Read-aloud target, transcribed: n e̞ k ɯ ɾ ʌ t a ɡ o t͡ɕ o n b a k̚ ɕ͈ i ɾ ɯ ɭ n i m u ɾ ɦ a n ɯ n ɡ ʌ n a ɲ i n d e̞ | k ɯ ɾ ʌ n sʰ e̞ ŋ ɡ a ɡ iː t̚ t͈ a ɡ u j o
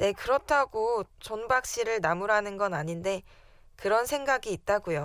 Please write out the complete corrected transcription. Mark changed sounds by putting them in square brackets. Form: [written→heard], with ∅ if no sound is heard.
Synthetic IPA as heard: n e̞ k ɯ ɾ ʌ [t→tʰ] a ɡ o t͡ɕ o n b a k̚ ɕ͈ i ɾ ɯ ɭ n [i→a] m u ɾ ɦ a n ɯ n ɡ ʌ n a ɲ i n d e̞ | k ɯ ɾ ʌ n sʰ e̞ ŋ ɡ a ɡ iː t̚ t͈ a ɡ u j o